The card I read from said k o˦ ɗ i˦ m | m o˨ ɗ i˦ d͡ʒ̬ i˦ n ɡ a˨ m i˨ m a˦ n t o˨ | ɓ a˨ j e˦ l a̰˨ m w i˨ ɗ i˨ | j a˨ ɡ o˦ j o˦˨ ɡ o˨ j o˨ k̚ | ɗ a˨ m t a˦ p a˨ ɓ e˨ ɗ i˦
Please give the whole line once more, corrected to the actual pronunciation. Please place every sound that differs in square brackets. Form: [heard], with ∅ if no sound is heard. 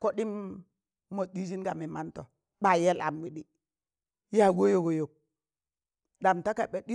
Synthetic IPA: k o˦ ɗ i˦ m | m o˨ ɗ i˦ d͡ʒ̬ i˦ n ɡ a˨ m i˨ m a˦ n t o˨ | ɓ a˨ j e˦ l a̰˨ m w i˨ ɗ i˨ | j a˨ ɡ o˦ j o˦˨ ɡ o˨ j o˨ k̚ | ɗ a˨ m t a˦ [k] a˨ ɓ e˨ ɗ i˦